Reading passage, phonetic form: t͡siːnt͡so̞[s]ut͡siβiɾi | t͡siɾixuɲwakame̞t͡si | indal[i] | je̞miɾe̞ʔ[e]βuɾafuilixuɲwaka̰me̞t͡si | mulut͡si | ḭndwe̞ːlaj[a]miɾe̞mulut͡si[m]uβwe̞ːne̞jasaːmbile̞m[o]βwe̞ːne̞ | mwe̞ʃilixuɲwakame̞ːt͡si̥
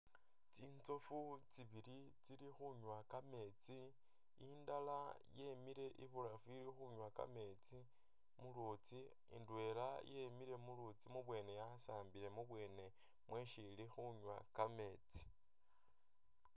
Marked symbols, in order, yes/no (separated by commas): no, no, no, no, yes, no